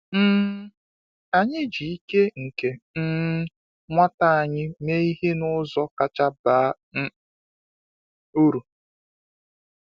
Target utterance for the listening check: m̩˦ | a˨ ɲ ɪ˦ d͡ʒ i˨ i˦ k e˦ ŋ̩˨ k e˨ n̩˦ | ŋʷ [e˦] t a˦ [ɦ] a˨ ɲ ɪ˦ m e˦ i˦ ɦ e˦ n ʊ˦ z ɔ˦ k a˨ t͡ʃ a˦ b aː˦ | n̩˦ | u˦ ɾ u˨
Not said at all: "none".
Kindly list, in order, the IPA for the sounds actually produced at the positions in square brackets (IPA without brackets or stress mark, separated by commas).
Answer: a˦, none